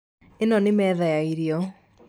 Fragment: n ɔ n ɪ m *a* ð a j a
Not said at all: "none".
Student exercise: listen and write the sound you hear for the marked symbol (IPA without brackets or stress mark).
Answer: ɛ